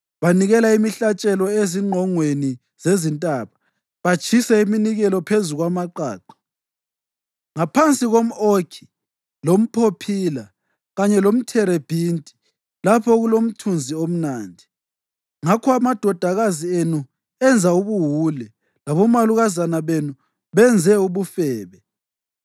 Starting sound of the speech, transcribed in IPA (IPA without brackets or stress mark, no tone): β